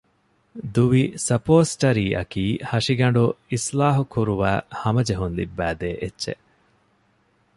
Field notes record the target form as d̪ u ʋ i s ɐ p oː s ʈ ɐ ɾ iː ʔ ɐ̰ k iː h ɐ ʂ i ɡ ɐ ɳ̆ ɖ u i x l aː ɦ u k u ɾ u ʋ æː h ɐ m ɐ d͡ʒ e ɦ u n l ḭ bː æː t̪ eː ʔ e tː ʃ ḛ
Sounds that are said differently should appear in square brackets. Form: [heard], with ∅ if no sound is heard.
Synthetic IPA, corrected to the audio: d̪ u ʋ i s ɐ p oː s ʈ ɐ ɾ iː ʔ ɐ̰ k iː h ɐ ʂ i ɡ ɐ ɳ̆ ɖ u i [s] l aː ɦ u k u ɾ u ʋ æː h ɐ m ɐ d͡ʒ e ɦ u n l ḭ bː æː [d̪] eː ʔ e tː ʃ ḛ